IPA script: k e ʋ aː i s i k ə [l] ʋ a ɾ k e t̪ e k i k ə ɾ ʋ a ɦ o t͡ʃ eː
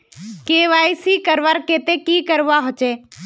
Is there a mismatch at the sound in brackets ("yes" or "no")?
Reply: yes